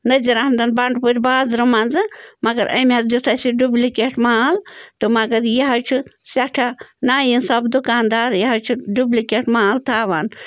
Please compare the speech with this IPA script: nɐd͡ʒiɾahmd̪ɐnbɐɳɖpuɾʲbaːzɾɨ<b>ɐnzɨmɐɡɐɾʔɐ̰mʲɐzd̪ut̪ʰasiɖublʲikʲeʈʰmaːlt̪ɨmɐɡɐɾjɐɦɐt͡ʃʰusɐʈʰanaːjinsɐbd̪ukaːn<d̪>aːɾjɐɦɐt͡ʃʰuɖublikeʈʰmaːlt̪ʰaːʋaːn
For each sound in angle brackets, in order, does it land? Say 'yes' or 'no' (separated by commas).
no, yes